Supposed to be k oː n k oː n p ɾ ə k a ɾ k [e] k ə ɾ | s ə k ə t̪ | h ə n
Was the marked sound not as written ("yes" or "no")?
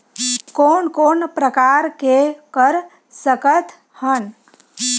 no